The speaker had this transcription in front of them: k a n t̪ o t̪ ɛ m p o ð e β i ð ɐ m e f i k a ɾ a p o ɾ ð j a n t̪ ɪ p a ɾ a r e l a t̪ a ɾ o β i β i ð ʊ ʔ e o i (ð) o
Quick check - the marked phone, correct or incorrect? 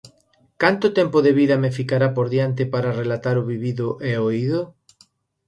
correct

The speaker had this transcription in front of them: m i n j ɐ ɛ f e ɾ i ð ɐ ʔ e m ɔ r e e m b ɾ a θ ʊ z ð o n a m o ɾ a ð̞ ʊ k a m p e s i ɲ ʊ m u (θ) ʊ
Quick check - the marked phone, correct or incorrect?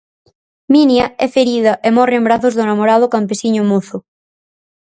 correct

